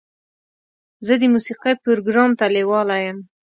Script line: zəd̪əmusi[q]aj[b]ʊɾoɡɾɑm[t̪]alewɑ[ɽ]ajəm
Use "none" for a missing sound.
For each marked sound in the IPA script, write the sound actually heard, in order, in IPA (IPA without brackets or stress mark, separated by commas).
q, p, t̪, l